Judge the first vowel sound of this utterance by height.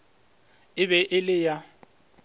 high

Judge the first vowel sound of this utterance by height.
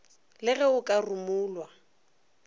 high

